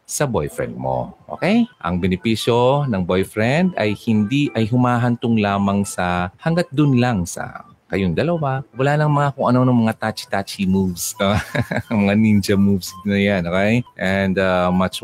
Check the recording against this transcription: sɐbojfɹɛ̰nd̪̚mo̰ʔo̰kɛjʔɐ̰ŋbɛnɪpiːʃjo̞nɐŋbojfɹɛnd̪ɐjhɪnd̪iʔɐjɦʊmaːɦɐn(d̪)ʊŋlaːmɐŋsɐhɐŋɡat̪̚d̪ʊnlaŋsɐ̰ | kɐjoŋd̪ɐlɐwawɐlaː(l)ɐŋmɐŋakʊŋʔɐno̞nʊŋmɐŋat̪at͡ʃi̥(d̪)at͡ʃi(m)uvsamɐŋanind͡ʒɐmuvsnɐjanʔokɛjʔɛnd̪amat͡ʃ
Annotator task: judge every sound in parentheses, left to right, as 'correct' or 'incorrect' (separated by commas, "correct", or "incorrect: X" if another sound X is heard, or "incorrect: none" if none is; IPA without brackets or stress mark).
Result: incorrect: t̪, correct, incorrect: t̪, correct